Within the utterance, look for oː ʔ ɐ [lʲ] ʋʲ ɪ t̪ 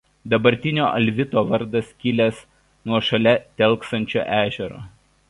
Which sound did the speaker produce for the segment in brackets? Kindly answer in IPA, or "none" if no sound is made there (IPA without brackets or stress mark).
lʲ